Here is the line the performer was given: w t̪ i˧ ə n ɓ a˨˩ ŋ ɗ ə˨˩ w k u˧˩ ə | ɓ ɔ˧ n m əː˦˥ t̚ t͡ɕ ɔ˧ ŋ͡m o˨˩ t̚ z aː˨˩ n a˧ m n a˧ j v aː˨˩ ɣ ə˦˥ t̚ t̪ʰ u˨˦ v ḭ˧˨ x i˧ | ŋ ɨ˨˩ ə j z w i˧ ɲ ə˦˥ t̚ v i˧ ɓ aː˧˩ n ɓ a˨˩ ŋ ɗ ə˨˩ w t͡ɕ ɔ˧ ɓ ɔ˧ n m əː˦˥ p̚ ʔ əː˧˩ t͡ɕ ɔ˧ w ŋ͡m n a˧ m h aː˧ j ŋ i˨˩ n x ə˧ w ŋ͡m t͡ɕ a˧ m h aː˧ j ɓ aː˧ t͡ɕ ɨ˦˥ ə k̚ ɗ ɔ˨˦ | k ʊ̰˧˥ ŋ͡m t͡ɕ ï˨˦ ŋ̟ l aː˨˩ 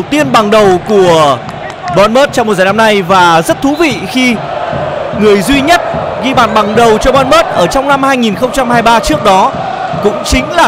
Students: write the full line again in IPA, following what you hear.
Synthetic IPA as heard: w t̪ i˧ ə n ɓ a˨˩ ŋ ɗ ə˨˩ w k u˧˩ ə | ɓ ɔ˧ n m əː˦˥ t̚ t͡ɕ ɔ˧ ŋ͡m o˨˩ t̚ z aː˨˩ n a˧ m n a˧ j v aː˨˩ z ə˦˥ t̚ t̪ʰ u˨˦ v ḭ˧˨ x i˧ | ŋ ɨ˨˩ ə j z w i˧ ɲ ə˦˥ t̚ ɣ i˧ ɓ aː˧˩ n ɓ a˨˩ ŋ ɗ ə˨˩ w t͡ɕ ɔ˧ ɓ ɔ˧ n m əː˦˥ t̚ ʔ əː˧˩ t͡ɕ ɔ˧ w ŋ͡m n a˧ m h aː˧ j ŋ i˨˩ n x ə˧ w ŋ͡m t͡ɕ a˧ m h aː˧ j ɓ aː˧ t͡ɕ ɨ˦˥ ə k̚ ɗ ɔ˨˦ | k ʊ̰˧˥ ŋ͡m t͡ɕ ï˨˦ ŋ̟ l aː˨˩